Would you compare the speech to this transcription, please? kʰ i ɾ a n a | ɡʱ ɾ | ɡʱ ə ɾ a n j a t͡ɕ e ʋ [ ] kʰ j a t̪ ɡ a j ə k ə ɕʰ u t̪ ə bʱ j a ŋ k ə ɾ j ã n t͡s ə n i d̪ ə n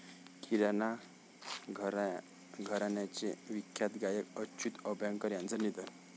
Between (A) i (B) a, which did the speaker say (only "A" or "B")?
A